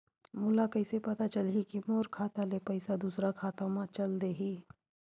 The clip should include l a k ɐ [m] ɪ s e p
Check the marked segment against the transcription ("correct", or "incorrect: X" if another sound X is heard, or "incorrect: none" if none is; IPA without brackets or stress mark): incorrect: none